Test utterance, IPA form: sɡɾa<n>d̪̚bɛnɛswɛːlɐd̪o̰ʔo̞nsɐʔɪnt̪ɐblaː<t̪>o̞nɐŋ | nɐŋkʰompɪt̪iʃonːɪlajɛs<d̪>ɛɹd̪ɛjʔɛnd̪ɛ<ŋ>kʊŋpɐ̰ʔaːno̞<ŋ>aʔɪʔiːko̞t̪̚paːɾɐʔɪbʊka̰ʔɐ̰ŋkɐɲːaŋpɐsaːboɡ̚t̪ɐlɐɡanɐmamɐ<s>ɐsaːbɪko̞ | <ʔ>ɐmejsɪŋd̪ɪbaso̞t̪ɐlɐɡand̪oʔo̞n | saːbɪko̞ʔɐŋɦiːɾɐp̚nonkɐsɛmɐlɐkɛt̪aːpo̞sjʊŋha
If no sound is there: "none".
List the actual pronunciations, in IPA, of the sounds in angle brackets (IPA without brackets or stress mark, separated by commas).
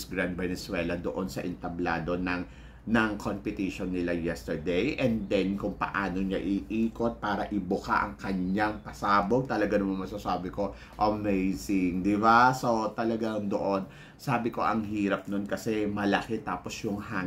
n, d̪, t̪, n, ɲ, s, ʔ